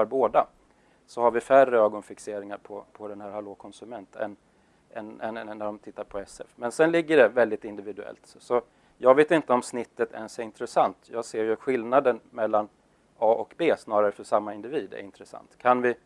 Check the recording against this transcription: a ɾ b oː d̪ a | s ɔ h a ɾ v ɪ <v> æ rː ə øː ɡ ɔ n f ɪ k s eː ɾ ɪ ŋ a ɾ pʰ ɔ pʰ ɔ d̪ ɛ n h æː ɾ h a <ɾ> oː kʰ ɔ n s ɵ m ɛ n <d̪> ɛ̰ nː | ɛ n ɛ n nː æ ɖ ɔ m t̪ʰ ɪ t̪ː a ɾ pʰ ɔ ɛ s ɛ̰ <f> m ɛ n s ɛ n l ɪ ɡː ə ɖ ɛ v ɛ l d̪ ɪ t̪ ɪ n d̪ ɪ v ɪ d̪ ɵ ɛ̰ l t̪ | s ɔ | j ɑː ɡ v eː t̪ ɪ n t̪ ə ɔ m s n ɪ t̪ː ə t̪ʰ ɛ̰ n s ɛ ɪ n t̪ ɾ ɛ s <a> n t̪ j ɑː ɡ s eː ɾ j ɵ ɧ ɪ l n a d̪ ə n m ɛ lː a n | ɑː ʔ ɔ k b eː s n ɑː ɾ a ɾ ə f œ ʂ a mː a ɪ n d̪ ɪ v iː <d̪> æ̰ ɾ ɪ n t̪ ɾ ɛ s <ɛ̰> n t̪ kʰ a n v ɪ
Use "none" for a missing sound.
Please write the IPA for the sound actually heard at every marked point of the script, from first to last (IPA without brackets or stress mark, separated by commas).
f, l, t̪, f, a, d̪, a̰